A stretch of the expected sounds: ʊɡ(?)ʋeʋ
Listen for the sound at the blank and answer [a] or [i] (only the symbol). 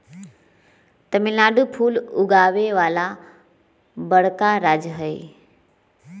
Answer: a